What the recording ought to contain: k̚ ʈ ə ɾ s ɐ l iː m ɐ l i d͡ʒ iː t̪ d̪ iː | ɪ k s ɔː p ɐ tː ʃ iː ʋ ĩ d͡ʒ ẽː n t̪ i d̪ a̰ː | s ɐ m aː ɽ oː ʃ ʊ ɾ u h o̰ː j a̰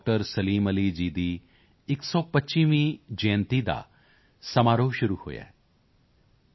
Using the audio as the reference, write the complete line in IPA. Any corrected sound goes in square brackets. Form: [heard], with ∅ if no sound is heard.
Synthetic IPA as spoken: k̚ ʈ ə ɾ s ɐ l iː m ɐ l i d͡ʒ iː [∅] d̪ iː | ɪ k s ɔː p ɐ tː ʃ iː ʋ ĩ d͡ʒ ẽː n t̪ i d̪ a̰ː | s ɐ m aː [ɾ] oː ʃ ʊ ɾ u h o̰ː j a̰